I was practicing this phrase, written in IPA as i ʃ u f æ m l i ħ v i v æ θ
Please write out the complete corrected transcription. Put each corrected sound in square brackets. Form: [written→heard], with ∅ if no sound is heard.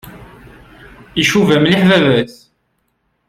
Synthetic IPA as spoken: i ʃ u [f→v] æ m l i ħ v [i→æ] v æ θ